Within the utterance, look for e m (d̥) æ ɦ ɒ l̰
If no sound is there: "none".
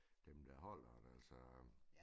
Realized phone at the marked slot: d̥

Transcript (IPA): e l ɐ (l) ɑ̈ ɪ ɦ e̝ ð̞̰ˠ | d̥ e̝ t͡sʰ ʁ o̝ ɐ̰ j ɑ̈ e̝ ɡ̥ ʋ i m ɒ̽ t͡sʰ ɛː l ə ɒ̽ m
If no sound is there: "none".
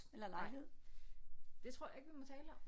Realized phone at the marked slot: l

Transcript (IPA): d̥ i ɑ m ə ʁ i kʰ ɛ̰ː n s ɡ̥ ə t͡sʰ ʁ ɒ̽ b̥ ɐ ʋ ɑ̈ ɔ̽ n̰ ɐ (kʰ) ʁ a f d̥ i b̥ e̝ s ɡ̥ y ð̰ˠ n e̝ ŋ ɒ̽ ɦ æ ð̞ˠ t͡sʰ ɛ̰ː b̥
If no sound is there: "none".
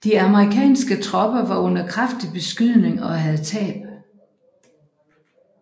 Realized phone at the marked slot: kʰ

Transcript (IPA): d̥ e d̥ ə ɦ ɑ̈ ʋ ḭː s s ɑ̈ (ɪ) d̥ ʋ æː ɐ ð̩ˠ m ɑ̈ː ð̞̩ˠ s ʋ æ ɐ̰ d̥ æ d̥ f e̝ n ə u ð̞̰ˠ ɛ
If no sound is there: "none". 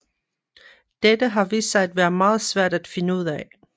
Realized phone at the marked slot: ɪ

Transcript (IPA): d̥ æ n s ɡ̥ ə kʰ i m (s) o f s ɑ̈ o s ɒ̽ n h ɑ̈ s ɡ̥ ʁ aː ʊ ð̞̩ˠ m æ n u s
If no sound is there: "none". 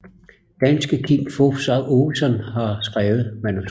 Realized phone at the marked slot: f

